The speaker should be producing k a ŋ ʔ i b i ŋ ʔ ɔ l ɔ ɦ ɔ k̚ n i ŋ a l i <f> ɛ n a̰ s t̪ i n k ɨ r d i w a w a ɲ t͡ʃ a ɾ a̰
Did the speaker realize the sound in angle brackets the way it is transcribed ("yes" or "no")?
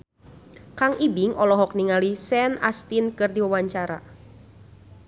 no